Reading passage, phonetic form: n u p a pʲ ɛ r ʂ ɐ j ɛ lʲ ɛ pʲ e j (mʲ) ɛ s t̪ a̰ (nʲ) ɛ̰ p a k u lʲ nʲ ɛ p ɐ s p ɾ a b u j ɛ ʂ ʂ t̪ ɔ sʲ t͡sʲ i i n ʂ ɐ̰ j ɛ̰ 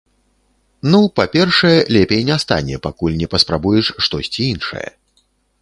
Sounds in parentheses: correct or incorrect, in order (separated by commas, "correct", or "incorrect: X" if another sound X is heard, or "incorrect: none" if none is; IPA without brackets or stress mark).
incorrect: nʲ, correct